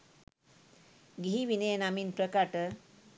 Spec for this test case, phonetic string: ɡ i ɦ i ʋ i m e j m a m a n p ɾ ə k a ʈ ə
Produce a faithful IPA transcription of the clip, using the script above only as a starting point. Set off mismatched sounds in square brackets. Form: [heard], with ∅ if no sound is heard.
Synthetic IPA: ɡ i ɦ i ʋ i [n] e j [n] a m [i] n p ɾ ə k a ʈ ə